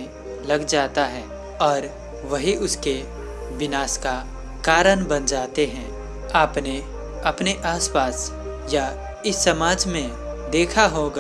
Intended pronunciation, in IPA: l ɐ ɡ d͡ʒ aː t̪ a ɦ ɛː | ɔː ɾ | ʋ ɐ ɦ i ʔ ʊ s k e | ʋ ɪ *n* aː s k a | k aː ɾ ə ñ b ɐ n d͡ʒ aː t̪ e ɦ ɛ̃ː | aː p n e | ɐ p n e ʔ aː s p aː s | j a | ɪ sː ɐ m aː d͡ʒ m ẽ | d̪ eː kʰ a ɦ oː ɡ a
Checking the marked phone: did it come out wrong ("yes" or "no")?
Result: no